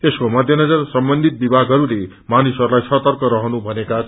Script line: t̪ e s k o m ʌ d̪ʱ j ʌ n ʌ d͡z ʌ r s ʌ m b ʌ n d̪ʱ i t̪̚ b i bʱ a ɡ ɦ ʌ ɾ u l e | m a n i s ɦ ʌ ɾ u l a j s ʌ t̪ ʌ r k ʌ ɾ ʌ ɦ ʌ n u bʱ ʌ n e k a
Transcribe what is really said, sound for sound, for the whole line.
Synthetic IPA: t̪ e s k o m ʌ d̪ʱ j ʌ n ʌ d͡z ʌ r s ʌ m b ʌ n d̪ʱ i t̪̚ b i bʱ a ɡ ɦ ʌ ɾ u l e | m a n i s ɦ ʌ ɾ u l a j s ʌ t̪ ʌ r k ʌ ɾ ʌ ɦ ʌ n u bʱ ʌ n e k a